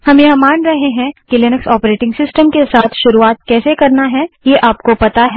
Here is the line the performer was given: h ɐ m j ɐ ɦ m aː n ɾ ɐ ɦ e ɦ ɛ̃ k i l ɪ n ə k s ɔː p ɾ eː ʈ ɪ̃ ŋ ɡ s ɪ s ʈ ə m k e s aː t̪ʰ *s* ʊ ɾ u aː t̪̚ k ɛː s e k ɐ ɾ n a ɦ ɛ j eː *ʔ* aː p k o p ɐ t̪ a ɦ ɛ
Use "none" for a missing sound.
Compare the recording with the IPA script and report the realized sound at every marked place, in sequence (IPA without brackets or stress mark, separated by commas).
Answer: ʃ, ʔ